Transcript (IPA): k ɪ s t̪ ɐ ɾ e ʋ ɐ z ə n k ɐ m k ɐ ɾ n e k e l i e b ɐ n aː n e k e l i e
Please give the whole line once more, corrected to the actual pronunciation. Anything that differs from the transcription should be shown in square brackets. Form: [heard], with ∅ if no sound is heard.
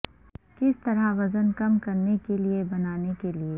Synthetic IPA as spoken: k ɪ s t̪ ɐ ɾ [a] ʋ ɐ z ə n k ɐ m k ɐ ɾ n e k e l i e b ɐ n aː n e k e l i e